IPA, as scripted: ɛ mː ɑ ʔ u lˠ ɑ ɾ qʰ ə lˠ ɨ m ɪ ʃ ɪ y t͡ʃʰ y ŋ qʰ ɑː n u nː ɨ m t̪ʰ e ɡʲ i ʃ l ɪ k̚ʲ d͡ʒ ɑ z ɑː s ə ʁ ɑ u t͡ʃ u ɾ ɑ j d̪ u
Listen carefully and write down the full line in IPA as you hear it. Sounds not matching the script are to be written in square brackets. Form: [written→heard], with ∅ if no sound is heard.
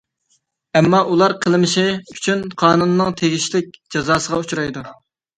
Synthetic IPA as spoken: ɛ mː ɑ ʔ u lˠ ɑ ɾ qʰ ə lˠ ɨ m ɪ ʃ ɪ y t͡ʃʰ y [ŋ→n] qʰ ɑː n u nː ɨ [m→ŋ] t̪ʰ e ɡʲ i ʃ l ɪ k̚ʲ d͡ʒ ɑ z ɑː s ə ʁ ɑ u t͡ʃ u ɾ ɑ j d̪ u